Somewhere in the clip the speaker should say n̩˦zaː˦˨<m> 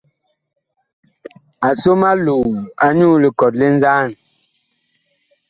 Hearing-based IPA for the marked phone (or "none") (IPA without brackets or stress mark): n